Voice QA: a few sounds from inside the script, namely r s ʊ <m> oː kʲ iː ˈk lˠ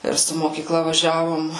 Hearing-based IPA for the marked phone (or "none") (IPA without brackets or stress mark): m